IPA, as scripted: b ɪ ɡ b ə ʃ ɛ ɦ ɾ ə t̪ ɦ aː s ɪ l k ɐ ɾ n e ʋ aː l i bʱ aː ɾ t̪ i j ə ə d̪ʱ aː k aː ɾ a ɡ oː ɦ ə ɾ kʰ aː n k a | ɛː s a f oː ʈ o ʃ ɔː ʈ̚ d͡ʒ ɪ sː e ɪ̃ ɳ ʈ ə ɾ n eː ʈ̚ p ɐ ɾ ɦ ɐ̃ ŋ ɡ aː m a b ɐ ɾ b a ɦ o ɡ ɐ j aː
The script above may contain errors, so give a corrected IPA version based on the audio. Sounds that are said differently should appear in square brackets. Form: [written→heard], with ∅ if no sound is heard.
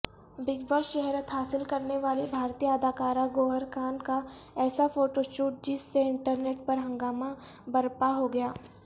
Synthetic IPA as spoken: b ɪ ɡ b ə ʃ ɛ ɦ ɾ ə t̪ ɦ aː s ɪ l k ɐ ɾ n e ʋ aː l i bʱ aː ɾ t̪ i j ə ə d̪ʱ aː k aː ɾ a ɡ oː ɦ ə ɾ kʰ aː n k a | ɛː s a f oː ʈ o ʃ [ɔː→uː] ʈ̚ d͡ʒ ɪ sː e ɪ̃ ɳ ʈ ə ɾ n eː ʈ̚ p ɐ ɾ ɦ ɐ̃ ŋ ɡ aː m a b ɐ ɾ [b→p] a ɦ o ɡ ɐ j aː